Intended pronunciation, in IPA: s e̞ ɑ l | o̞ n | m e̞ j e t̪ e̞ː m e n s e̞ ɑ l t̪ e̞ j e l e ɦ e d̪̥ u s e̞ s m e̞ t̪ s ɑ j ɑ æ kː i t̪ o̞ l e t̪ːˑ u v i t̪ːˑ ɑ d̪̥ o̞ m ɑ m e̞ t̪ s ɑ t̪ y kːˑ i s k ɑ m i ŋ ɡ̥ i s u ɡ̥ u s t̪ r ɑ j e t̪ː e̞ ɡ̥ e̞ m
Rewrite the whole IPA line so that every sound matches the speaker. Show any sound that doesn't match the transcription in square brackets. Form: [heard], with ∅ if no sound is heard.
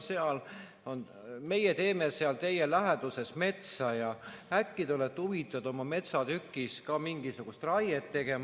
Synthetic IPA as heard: s e̞ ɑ l | o̞ n | m e̞ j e t̪ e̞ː m e [∅] s e̞ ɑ l t̪ e̞ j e l [æ] ɦ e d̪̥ u s e̞ s m e̞ t̪ s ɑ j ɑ æ kː i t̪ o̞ l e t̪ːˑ u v i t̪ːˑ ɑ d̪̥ o̞ m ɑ m e̞ t̪ s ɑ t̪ y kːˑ i s k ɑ m i ŋ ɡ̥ i s u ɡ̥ u s t̪ r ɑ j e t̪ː e̞ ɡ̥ e̞ m